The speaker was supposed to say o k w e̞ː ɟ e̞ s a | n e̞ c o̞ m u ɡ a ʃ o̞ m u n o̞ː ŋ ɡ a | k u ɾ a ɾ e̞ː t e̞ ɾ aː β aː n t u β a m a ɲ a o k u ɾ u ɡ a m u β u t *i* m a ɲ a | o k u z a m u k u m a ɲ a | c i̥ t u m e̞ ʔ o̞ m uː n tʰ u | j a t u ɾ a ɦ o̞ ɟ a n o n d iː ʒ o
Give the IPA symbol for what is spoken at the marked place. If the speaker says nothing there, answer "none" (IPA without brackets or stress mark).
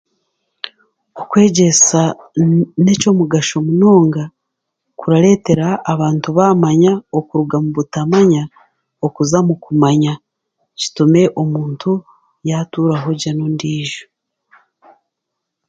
a